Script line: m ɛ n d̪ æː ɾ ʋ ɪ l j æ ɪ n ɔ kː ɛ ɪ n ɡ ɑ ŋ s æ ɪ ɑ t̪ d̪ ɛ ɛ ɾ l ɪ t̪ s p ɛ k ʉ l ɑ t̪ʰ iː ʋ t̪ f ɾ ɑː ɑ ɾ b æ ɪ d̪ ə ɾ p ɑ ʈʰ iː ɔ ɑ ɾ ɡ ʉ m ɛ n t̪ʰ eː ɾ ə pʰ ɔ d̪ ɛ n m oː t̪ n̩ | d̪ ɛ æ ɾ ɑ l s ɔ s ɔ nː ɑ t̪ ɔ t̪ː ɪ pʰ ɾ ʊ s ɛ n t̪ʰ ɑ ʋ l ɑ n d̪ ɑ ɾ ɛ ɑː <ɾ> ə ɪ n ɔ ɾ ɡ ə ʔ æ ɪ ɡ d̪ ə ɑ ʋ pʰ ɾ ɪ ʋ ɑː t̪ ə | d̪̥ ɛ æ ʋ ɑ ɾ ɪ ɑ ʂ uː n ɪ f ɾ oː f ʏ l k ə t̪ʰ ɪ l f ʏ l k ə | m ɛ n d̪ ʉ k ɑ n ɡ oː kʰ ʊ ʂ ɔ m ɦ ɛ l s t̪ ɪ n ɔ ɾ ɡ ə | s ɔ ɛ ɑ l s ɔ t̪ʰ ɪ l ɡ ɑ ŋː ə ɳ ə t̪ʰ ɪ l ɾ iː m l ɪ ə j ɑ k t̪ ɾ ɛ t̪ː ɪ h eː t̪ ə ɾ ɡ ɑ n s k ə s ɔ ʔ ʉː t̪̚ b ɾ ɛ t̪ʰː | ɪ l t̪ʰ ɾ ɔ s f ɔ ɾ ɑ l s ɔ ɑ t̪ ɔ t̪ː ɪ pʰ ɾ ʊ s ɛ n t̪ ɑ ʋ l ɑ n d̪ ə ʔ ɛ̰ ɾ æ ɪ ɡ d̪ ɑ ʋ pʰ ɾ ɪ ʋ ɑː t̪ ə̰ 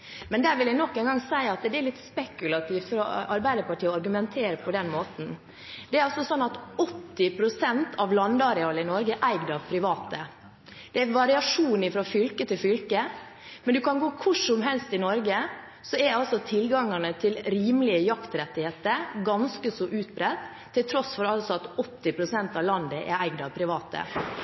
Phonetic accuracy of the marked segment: incorrect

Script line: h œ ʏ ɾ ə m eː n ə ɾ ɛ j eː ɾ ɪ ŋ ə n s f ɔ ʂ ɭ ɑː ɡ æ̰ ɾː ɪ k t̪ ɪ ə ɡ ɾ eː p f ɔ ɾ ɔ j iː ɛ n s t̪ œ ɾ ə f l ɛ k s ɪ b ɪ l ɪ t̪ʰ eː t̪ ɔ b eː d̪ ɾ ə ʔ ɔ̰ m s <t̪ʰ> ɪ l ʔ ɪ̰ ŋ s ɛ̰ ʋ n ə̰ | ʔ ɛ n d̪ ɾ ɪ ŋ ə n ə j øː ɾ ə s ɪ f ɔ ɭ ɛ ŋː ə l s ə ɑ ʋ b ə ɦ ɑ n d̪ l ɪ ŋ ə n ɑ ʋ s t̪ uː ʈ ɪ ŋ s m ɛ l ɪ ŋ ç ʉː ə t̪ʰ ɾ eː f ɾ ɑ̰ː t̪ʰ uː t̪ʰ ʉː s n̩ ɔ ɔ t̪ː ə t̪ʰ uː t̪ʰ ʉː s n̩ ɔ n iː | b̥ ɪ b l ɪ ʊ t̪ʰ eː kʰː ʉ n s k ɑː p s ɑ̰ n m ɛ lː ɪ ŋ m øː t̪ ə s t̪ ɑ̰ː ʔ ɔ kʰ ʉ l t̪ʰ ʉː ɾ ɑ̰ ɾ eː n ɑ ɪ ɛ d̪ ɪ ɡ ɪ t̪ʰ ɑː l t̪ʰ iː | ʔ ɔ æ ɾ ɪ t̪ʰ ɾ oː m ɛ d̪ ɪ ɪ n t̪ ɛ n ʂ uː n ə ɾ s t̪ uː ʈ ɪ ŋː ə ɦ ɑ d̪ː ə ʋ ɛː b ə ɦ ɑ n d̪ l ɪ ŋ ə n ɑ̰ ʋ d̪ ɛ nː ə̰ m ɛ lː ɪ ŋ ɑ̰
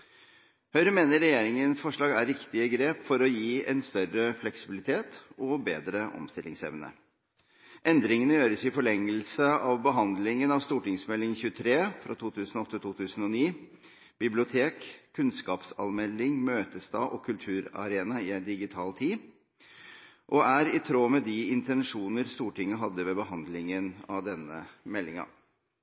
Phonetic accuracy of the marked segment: incorrect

